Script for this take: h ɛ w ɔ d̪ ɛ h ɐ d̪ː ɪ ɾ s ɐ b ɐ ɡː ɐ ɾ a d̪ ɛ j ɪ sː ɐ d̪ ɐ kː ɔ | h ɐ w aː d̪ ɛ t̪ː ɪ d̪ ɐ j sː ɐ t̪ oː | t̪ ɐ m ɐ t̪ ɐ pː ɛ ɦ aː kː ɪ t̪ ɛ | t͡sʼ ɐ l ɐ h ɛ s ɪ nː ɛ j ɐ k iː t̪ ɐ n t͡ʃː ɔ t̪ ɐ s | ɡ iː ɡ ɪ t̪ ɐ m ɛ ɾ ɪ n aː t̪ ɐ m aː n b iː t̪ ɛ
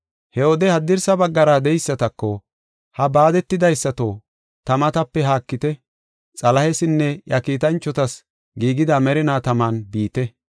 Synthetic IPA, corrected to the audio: h ɛ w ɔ d̪ ɛ h ɐ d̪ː ɪ ɾ s ɐ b ɐ ɡː ɐ ɾ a d̪ ɛ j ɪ sː ɐ t̪ ɐ kː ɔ | h ɐ b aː d̪ ɛ t̪ː ɪ d̪ ɐ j sː ɐ t̪ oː | t̪ ɐ m ɐ t̪ ɐ pː ɛ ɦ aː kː ɪ t̪ ɛ | t͡sʼ ɐ l ɐ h ɛ s ɪ nː ɛ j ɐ k iː t̪ ɐ n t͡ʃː ɔ t̪ ɐ s | ɡ iː ɡ ɪ d̪ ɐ m ɛ ɾ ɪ n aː t̪ ɐ m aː n b iː t̪ ɛ